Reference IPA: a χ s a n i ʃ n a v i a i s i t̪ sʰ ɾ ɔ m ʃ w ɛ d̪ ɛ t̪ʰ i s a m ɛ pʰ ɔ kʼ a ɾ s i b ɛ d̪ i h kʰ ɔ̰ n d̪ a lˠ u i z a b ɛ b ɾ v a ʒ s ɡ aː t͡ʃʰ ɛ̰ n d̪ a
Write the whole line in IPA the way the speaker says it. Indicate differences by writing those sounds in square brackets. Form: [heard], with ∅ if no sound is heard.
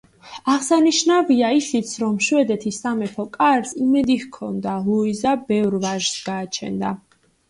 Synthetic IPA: a [ʁ] s a n i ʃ n a v i a i s i t̪ sʰ ɾ ɔ m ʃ w ɛ d̪ ɛ t̪ʰ i s a m ɛ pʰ ɔ kʼ a ɾ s i [m] ɛ d̪ i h kʰ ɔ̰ n d̪ a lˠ u i z a b ɛ [v] ɾ v a ʒ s ɡ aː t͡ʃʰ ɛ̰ n d̪ a